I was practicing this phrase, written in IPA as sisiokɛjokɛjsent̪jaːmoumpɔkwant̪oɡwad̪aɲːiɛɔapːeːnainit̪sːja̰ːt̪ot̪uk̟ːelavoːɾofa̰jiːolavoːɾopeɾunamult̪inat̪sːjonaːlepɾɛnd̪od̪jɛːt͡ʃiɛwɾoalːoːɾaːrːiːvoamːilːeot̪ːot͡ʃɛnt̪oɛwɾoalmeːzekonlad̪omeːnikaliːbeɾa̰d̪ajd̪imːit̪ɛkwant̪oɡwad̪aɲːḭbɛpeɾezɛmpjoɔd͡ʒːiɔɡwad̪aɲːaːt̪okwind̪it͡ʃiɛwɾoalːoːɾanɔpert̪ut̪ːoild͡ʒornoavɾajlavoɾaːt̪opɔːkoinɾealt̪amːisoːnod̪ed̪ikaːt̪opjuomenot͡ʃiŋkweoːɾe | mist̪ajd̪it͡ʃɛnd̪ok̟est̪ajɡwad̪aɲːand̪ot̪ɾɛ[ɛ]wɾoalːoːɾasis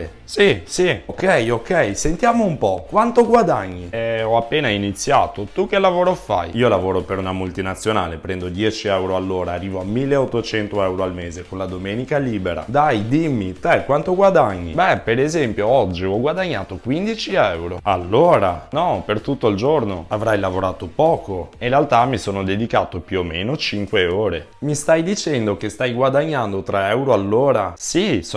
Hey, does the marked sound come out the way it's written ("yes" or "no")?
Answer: yes